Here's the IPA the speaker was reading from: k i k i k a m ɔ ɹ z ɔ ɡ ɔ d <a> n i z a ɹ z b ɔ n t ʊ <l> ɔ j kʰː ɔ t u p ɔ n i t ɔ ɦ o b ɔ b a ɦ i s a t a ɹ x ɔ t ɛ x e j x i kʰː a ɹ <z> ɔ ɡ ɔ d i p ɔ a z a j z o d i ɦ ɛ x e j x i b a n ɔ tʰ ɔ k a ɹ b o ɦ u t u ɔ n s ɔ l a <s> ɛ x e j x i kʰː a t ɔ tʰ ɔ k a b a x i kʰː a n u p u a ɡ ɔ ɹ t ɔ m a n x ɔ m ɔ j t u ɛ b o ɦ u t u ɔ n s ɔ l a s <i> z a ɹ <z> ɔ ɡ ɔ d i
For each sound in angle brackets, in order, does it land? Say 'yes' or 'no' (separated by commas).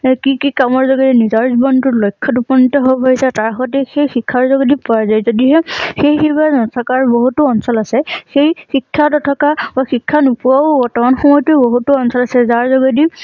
no, yes, yes, yes, no, yes